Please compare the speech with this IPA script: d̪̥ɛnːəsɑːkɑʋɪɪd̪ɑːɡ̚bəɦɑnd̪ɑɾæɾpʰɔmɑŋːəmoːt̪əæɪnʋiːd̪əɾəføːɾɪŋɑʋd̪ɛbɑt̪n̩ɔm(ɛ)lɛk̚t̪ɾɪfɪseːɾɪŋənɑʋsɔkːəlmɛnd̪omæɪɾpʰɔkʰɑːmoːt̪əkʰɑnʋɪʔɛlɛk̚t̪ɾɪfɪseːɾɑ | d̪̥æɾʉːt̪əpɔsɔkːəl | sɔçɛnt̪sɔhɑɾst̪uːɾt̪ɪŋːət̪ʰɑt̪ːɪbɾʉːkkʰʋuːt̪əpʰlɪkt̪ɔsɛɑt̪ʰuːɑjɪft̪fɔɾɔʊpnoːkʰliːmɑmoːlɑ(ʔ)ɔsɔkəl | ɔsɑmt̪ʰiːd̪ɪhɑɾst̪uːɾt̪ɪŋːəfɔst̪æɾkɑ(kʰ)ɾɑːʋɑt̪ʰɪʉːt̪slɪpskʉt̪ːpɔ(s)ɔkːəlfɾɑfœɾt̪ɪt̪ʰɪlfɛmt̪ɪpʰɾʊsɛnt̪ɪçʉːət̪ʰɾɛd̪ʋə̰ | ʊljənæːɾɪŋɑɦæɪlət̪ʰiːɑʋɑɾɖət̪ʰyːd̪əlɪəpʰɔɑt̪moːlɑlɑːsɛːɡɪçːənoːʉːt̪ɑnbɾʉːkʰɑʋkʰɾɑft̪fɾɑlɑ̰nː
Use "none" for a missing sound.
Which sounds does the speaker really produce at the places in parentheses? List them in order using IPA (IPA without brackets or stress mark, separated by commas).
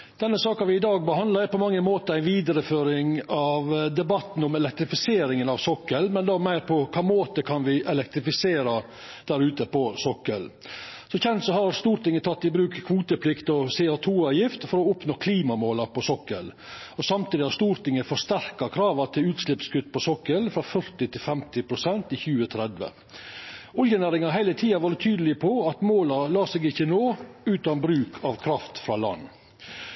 ɛ, p, kʰ, s